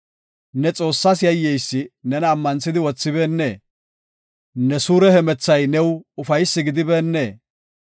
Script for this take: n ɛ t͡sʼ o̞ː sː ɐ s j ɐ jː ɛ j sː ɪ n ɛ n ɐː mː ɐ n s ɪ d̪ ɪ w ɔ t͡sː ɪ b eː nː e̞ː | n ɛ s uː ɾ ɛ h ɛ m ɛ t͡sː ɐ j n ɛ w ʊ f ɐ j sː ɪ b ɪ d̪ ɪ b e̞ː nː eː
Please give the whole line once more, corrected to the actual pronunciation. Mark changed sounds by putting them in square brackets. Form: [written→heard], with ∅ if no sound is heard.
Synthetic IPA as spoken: n ɛ t͡sʼ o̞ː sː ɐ s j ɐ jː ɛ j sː ɪ n ɛ n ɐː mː ɐ n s ɪ d̪ ɪ w ɔ t͡sː ɪ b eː nː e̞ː | n ɛ s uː ɾ ɛ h ɛ m ɛ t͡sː ɐ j n ɛ w ʊ f ɐ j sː ɪ [b→ɡ] ɪ d̪ ɪ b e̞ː nː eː